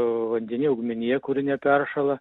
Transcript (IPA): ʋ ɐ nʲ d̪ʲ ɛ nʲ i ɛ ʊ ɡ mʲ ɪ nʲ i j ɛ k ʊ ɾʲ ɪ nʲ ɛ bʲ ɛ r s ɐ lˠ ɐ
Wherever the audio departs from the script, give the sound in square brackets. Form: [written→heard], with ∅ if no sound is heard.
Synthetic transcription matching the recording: ʋ ɐ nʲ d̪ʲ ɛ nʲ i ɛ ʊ ɡ mʲ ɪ nʲ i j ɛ k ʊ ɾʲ ɪ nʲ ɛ [bʲ→pʲ] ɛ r [s→ʃ] ɐ lˠ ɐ

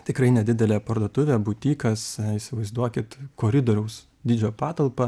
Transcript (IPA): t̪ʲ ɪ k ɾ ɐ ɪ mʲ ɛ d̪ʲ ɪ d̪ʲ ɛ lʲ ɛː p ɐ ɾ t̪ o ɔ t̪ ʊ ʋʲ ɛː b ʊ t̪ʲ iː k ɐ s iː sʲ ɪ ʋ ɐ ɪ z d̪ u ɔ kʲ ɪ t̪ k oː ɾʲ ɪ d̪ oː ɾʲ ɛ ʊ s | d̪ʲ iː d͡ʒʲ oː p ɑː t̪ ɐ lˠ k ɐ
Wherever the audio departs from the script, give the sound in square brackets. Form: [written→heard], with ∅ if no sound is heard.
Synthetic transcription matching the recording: t̪ʲ ɪ k ɾ ɐ ɪ [mʲ→nʲ] ɛ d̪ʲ ɪ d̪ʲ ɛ lʲ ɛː p ɐ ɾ [t̪→d̪] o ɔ t̪ ʊ ʋʲ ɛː b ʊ t̪ʲ iː k ɐ s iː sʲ ɪ ʋ ɐ ɪ z d̪ u ɔ kʲ ɪ t̪ k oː ɾʲ ɪ d̪ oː ɾʲ ɛ ʊ s | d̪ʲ iː d͡ʒʲ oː p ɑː t̪ ɐ lˠ [k→p] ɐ

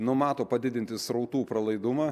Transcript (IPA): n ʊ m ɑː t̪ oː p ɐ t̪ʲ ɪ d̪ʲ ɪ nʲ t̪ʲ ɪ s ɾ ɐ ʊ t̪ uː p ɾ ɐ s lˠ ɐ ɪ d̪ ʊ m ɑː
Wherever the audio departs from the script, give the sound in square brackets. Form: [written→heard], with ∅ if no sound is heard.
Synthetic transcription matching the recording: n ʊ m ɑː t̪ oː p ɐ [t̪ʲ→d̪ʲ] ɪ d̪ʲ ɪ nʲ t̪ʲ ɪ s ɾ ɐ ʊ t̪ uː p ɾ ɐ [s→∅] lˠ ɐ ɪ d̪ ʊ m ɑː

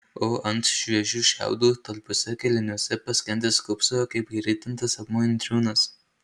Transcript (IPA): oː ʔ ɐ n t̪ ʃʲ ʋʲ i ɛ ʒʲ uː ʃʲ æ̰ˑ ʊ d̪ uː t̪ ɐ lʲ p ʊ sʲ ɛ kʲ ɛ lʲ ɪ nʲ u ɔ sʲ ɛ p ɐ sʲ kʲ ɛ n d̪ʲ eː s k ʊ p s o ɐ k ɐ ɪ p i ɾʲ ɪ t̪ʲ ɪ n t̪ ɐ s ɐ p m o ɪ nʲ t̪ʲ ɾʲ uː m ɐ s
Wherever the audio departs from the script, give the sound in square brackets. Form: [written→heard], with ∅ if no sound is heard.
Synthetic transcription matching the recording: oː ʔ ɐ n t̪ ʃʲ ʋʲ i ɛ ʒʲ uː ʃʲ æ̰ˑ ʊ d̪ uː t̪ ɐ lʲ p ʊ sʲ ɛ kʲ ɛ lʲ ɪ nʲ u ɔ sʲ ɛ p ɐ sʲ kʲ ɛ n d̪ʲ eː s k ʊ p s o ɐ k ɐ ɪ p i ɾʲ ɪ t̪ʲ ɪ n t̪ ɐ s ɐ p m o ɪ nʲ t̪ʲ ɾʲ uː [m→n] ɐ s

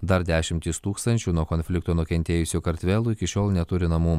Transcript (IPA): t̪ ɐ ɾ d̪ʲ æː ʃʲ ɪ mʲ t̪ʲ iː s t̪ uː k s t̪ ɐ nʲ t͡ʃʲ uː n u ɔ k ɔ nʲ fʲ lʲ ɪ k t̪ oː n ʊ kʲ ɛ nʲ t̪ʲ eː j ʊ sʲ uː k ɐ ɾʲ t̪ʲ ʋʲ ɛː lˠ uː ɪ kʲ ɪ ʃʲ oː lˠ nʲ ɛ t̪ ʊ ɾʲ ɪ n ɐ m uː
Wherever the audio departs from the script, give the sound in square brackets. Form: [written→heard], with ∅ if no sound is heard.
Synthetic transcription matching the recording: [t̪→d̪] ɐ ɾ d̪ʲ æː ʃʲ ɪ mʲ t̪ʲ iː s t̪ uː k s t̪ ɐ nʲ t͡ʃʲ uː n u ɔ k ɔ nʲ fʲ lʲ ɪ k t̪ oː n ʊ kʲ ɛ nʲ t̪ʲ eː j ʊ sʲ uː k ɐ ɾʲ t̪ʲ ʋʲ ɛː lˠ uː ɪ kʲ ɪ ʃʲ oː lˠ nʲ ɛ t̪ ʊ ɾʲ ɪ n ɐ m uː

